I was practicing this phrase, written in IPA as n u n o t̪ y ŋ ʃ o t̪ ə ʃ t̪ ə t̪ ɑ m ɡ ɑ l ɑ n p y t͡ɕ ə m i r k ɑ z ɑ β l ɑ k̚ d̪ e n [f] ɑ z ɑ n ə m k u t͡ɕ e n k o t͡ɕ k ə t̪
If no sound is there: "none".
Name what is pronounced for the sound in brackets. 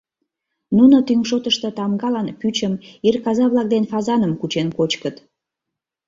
f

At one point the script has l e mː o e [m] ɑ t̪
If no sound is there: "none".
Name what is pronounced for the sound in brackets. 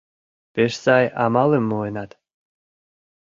n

